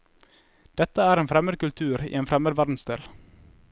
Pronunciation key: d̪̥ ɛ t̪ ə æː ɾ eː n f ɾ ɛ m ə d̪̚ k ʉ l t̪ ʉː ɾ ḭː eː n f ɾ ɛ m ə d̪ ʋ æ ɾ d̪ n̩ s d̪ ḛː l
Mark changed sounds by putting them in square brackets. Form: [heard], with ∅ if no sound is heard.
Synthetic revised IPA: d̪̥ ɛ t̪ ə æː ɾ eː n f ɾ ɛ m ə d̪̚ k ʉ l [t̪ʰ] ʉː ɾ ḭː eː n f ɾ ɛ m ə d̪ ʋ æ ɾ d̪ n̩ s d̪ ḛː l